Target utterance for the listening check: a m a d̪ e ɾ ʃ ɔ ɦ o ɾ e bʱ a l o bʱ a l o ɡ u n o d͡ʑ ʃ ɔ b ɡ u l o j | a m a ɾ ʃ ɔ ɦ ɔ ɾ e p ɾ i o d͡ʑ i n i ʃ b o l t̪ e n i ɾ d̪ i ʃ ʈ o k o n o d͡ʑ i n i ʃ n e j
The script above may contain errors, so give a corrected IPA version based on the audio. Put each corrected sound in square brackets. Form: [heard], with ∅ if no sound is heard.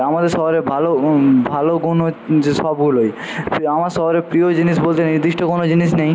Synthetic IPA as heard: a m a d̪ e ɾ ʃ ɔ ɦ o ɾ e bʱ a l o bʱ a l o ɡ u n o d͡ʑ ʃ ɔ b ɡ u l o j | a m a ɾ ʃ ɔ ɦ [o] ɾ e p ɾ i o d͡ʑ i n i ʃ b o l t̪ e n i ɾ d̪ i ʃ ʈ o k o n o d͡ʑ i n i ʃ n e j